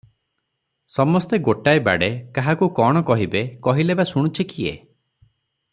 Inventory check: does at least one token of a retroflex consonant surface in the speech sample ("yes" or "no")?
yes